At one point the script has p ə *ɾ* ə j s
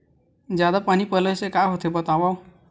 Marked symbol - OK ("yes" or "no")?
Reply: no